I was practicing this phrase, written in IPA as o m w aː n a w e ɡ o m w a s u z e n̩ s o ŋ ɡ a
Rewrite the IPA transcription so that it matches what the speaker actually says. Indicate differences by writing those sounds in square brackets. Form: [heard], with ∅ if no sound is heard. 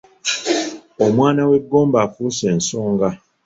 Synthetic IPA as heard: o m w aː n a w e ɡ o m [b] a [f] u [s] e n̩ s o ŋ ɡ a